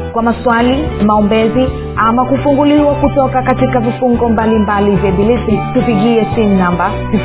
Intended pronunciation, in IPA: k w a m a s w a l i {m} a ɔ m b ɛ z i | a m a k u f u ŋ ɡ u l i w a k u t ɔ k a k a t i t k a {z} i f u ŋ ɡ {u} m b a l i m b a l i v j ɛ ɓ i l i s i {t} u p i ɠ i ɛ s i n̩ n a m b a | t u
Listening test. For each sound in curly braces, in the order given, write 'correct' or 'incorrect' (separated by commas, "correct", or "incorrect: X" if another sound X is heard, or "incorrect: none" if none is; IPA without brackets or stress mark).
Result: correct, incorrect: v, incorrect: ɔ, correct